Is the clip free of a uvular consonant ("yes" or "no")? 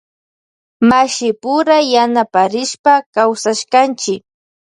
yes